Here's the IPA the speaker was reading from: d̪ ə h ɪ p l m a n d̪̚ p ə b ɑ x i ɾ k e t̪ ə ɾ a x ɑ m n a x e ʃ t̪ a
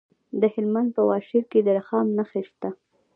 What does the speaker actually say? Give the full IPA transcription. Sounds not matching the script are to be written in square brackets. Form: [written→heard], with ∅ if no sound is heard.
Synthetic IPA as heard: d̪ ə h ɪ [p→∅] l m a n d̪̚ p ə [b→w] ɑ [x→ʃ] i ɾ k e [t̪→d̪] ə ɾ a x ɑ m n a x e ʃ t̪ a